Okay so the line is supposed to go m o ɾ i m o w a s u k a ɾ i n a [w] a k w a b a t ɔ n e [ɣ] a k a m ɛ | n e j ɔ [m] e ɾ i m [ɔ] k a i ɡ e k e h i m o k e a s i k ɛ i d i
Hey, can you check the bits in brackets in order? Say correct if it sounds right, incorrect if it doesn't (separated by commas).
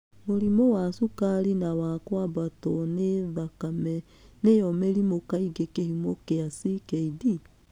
correct, incorrect, correct, incorrect